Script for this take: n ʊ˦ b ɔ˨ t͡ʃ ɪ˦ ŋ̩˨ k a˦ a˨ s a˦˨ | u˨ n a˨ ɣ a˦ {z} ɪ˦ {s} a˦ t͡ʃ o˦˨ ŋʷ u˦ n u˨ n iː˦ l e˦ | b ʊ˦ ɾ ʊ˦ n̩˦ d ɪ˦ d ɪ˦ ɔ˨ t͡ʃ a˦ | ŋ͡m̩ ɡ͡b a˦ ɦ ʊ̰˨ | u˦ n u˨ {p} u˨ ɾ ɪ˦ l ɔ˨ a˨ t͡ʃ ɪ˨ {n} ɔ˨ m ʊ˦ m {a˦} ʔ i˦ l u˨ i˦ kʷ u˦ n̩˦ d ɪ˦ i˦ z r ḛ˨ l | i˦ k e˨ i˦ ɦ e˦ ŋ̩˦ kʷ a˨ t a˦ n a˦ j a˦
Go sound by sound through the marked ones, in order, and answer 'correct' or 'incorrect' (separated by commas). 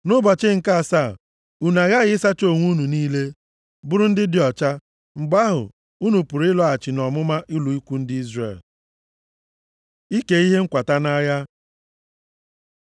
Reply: incorrect, correct, correct, correct, correct